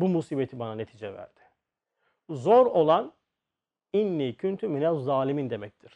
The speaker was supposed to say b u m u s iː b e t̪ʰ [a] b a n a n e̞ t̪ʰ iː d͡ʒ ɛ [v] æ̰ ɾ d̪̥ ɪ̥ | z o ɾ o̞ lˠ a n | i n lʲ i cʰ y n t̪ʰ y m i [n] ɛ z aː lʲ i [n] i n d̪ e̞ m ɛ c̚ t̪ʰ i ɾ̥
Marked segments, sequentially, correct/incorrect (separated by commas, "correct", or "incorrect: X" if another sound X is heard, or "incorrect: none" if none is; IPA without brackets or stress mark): incorrect: i, correct, correct, incorrect: m